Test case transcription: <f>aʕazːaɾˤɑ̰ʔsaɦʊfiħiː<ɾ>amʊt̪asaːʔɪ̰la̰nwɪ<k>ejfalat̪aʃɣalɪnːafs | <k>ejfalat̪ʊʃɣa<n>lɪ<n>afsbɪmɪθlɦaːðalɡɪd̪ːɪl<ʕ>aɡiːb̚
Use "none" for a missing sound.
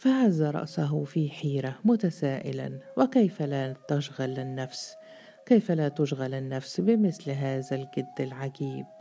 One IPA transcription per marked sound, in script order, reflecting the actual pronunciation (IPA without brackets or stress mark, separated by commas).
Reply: f, ɾ, k, k, none, nː, ʕ